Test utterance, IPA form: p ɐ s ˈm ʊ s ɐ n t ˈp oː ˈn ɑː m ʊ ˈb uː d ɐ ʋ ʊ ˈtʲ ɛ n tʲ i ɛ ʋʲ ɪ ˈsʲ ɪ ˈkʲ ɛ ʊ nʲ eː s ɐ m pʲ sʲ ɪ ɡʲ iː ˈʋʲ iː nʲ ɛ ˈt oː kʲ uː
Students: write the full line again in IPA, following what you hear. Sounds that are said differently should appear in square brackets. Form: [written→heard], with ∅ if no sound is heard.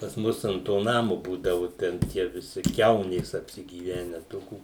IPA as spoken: p ɐ s ˈm ʊ s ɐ n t [ˈp→ˈt] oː ˈn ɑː m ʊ ˈb uː d ɐ ʋ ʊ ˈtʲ ɛ n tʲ i ɛ ʋʲ ɪ ˈsʲ ɪ ˈkʲ ɛ ʊ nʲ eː s ɐ [m→∅] pʲ sʲ ɪ ɡʲ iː ˈʋʲ [iː→æː] nʲ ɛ ˈt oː kʲ uː